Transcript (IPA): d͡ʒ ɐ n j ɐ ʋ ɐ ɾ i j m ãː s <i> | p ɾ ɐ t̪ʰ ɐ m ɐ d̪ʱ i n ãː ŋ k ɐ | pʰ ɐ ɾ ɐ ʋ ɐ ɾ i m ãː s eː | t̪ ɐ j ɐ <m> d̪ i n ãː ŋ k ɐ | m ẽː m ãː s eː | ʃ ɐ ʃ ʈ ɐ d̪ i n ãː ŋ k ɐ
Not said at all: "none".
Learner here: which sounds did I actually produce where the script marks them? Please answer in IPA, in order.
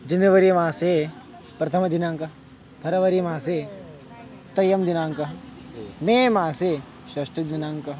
e, m

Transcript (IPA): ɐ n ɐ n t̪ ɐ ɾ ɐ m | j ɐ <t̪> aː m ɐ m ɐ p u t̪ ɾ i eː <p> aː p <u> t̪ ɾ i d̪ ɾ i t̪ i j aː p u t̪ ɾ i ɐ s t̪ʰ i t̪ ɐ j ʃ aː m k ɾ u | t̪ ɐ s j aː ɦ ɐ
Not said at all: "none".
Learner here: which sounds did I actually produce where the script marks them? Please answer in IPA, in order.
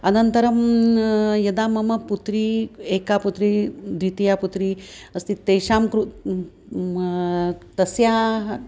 d̪, k, u

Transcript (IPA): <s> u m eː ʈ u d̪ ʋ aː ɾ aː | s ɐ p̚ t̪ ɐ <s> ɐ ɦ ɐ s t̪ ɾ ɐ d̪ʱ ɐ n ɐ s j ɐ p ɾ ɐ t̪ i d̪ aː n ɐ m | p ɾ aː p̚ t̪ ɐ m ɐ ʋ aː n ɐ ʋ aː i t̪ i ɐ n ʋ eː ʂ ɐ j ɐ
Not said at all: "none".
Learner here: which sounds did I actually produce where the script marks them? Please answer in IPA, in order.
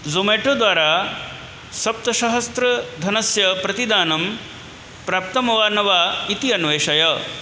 z, ʃ

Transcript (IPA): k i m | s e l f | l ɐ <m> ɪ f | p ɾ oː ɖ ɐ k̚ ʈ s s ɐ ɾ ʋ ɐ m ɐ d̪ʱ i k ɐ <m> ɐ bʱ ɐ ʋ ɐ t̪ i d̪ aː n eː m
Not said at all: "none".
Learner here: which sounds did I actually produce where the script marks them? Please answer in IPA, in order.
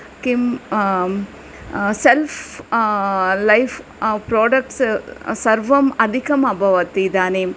none, m

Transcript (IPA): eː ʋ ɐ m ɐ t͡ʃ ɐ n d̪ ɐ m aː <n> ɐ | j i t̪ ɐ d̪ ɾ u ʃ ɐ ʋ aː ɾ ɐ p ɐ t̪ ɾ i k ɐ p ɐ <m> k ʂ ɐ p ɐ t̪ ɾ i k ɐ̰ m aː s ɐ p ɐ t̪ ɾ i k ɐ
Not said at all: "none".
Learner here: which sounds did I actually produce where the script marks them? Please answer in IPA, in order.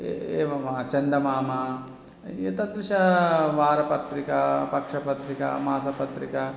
m, none

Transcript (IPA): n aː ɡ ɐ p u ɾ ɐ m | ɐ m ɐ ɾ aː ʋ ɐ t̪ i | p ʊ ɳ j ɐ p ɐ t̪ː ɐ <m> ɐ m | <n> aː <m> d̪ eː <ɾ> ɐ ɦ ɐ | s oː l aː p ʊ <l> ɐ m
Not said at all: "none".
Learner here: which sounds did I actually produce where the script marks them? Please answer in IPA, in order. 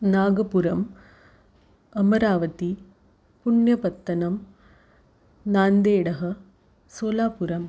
n, n, n, ɽ, ɾ

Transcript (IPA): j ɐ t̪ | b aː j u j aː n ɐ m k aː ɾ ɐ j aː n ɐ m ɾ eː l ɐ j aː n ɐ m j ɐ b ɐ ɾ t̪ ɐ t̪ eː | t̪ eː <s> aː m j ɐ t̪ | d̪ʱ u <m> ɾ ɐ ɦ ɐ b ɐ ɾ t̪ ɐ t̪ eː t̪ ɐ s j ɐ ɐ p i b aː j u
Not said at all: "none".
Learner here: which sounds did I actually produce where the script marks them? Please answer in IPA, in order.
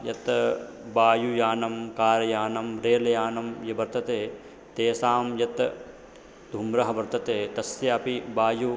s, m

